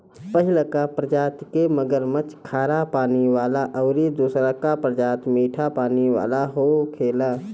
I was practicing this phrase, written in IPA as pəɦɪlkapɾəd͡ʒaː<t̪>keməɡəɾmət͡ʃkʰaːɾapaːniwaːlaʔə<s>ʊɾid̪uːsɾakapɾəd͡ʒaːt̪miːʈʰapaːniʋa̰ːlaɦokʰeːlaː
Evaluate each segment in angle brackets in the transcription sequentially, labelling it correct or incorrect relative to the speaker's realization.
correct, incorrect

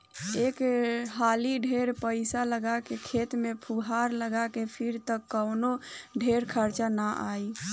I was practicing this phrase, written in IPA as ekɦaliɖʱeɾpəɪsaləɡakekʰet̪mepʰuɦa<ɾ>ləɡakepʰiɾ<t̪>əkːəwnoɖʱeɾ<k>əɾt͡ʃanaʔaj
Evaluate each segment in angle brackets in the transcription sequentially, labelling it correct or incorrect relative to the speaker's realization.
correct, correct, incorrect

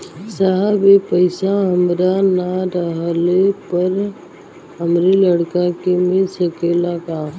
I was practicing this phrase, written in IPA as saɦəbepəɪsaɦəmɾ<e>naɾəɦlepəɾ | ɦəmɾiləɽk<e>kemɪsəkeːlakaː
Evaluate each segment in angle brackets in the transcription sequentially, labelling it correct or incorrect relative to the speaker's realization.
incorrect, incorrect

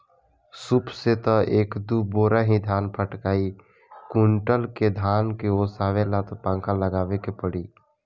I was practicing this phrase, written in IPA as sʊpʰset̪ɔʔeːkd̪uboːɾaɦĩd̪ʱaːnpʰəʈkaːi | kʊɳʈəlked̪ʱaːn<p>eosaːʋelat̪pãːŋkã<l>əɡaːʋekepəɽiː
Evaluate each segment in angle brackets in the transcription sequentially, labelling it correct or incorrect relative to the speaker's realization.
incorrect, correct

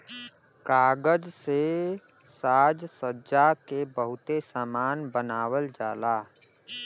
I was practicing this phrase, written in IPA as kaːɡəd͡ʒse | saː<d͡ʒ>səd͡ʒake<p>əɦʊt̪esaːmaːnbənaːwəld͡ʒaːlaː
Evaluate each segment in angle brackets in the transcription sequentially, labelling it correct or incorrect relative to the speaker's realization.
correct, incorrect

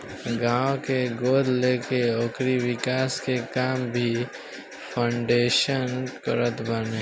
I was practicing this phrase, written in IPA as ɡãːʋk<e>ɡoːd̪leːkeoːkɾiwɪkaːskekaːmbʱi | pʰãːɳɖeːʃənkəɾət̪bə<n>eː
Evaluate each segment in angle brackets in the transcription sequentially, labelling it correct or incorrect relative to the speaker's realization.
correct, correct

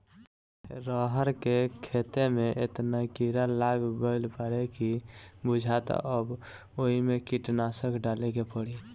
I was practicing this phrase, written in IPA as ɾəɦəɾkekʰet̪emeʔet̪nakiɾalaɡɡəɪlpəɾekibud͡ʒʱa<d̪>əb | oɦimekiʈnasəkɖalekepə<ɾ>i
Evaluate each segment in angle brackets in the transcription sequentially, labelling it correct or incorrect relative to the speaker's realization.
incorrect, incorrect

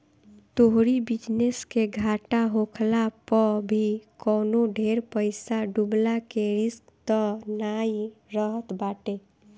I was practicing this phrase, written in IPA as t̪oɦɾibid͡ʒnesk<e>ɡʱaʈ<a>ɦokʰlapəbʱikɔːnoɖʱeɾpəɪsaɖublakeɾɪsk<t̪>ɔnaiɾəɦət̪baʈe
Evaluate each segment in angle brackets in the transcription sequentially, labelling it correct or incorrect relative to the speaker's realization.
correct, correct, correct

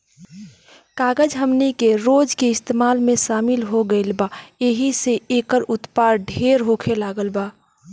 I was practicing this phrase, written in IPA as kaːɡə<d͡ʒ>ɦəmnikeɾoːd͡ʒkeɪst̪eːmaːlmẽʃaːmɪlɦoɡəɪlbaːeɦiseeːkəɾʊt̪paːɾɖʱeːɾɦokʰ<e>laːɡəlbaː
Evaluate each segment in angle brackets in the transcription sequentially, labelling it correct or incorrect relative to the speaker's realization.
correct, correct

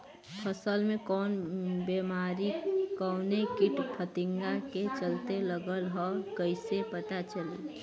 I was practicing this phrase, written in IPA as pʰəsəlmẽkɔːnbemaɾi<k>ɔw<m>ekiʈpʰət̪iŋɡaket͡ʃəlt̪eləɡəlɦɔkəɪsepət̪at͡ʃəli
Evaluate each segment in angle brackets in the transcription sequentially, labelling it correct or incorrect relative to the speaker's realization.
correct, incorrect

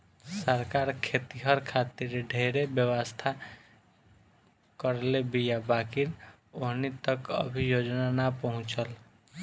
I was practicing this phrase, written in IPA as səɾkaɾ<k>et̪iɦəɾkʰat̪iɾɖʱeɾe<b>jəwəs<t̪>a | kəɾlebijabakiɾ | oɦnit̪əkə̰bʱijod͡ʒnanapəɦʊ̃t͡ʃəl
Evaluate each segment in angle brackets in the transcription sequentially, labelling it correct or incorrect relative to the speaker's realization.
incorrect, correct, incorrect

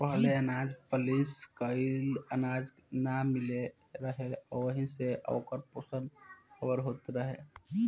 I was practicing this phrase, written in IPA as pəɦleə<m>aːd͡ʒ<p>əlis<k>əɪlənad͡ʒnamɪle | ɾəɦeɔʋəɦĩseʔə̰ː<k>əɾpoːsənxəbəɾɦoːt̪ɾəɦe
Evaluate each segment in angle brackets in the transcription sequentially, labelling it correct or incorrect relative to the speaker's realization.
incorrect, correct, correct, correct

